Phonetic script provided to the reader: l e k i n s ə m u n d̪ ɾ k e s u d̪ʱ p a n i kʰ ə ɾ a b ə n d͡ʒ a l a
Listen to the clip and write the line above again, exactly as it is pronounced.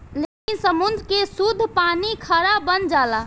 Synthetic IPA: l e k i n s ə m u n d̪ ɾ k e s u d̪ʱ p a n i kʰ ə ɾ a b ə n d͡ʒ a l a